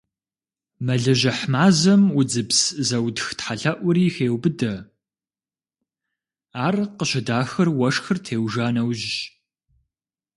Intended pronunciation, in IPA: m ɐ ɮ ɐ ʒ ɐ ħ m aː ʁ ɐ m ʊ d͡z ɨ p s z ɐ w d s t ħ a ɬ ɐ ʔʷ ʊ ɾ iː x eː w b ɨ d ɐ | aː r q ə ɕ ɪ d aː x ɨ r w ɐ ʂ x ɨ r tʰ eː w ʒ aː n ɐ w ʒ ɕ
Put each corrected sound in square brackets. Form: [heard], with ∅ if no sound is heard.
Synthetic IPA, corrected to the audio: m ɐ ɮ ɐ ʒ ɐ ħ m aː [z] ɐ m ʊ d͡z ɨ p s z ɐ w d [x] t ħ a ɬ ɐ ʔʷ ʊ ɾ iː x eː w b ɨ d ɐ | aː r q ə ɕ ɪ d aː x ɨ r w ɐ ʂ x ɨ r tʰ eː w ʒ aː n ɐ w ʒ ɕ